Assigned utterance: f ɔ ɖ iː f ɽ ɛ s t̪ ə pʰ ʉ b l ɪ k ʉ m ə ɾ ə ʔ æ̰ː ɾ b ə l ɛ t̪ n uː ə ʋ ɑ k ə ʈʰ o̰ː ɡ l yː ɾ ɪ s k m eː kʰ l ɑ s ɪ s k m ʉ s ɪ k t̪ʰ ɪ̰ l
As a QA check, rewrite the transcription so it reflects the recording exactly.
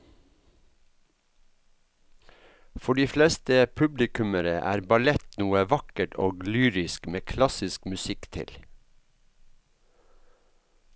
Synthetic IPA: f ɔ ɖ iː f l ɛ s t̪ ə pʰ ʉ b l ɪ k ʉ m ə ɾ ə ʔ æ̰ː ɾ b ɑ l ɛ t̪ n uː ə ʋ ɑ k ə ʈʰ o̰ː ɡ l yː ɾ ɪ s k m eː kʰ l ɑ s ɪ s k m ʉ s ɪ k t̪ʰ ɪ̰ l